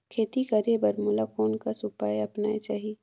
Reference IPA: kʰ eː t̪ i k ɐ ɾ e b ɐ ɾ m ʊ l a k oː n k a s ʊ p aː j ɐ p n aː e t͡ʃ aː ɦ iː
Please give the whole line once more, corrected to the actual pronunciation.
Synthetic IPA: kʰ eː t̪ i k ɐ ɾ e b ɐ ɾ m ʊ l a k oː n k a s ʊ p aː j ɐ p n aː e t͡ʃ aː ɦ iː